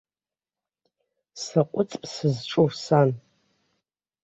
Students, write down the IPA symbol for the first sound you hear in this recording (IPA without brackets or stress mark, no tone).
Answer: s